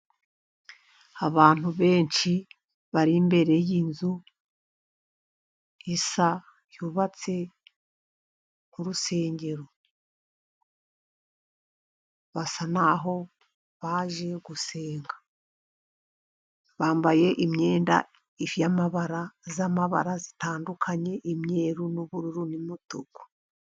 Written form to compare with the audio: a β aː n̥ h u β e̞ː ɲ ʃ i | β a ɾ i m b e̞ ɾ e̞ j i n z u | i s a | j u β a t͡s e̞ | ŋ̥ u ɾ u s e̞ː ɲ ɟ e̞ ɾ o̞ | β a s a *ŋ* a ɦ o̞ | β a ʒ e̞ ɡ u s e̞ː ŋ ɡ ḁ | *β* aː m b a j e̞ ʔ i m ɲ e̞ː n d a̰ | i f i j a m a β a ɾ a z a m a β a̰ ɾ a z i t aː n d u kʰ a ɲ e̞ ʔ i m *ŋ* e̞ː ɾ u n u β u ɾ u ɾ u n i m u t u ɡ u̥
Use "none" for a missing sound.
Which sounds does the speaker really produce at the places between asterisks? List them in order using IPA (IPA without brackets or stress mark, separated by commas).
n, β, ɲ